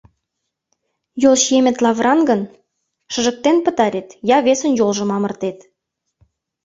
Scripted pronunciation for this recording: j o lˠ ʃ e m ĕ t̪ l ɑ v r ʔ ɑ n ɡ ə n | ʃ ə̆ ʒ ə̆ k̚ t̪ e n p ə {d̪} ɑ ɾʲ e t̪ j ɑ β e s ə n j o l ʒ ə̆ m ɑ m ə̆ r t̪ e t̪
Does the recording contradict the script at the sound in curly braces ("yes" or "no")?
yes